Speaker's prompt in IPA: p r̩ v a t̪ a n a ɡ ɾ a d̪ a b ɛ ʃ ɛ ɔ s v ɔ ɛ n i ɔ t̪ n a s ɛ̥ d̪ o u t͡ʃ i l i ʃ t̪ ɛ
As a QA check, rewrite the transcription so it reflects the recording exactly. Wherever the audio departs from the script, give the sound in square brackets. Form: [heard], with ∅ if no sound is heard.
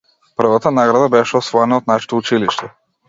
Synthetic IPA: p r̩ v a t̪ a n a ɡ ɾ a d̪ a b ɛ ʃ ɛ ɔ s v ɔ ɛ n [a] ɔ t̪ n a [ʃ] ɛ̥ [t̪] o u t͡ʃ i l i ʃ t̪ ɛ